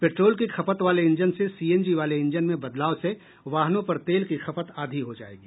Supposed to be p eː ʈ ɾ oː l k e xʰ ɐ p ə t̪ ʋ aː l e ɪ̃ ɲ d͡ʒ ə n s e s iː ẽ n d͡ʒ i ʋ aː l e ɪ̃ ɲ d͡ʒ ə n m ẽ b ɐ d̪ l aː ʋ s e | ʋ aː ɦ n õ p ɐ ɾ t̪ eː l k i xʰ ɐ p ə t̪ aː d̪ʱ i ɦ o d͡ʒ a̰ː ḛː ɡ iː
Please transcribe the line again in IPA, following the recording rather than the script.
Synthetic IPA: p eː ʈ ɾ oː l k i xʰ ɐ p ə t̪ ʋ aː l e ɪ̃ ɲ d͡ʒ ə n s e s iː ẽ n d͡ʒ i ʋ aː l e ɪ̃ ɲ d͡ʒ ə n m ẽ b ɐ d̪ l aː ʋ s e | ʋ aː ɦ n õ p ɐ ɾ t̪ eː l k i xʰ ɐ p ə t̪ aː d̪ʱ i ɦ o d͡ʒ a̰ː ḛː ɡ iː